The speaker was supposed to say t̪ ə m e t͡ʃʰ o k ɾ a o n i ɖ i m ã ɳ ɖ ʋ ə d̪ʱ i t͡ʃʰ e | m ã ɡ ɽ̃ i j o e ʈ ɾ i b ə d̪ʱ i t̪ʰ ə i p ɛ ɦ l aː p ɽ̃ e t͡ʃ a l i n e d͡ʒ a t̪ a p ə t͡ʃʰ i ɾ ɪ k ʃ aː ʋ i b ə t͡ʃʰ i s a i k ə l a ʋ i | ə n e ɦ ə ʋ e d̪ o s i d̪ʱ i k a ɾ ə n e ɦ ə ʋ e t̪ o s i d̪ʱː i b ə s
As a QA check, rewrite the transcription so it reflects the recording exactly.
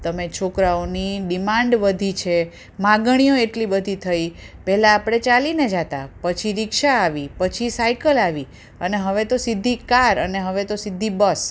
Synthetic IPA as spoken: t̪ ə m e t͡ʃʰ o k ɾ a o n i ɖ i m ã ɳ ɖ ʋ ə d̪ʱ i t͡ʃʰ e | m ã ɡ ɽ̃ i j o e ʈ l i b ə d̪ʱ i t̪ʰ ə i p ɛ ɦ l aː p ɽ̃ e t͡ʃ a l i n e d͡ʒ a t̪ a p ə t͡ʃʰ i ɾ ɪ k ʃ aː ʋ i p ə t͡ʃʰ i s a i k ə l a ʋ i | ə n e ɦ ə ʋ e t̪ o s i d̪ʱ i k a ɾ ə n e ɦ ə ʋ e t̪ o s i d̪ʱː i b ə s